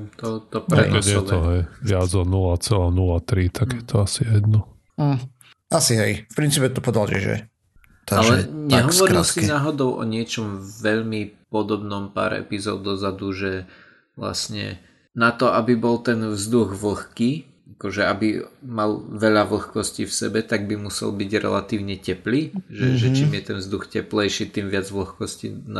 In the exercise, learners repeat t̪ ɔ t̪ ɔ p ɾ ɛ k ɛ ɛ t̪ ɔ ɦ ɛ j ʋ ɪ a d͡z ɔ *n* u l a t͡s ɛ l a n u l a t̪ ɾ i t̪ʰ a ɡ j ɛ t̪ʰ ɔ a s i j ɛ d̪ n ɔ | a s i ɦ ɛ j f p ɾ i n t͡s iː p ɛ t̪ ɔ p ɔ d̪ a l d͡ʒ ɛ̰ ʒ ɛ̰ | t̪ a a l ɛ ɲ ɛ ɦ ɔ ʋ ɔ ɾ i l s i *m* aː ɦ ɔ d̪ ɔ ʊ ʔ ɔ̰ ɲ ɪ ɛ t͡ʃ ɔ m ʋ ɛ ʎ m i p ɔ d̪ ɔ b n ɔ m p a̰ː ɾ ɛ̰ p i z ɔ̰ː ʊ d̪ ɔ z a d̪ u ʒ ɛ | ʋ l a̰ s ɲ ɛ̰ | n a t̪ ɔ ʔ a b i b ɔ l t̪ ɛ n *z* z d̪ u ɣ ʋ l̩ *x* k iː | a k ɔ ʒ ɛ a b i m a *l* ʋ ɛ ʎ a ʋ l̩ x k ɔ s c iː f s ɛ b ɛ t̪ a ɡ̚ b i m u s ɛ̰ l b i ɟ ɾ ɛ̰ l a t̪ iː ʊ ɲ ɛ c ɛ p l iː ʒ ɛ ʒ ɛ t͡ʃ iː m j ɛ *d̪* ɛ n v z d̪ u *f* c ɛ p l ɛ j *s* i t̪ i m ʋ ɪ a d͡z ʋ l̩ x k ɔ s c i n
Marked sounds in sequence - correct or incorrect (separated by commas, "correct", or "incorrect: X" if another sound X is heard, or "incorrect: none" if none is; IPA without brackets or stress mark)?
correct, incorrect: n, incorrect: v, correct, correct, incorrect: t̪, incorrect: x, incorrect: ʃ